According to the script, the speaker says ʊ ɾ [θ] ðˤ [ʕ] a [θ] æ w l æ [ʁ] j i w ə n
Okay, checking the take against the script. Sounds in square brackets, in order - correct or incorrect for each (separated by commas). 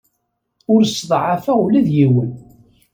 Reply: incorrect, correct, incorrect, incorrect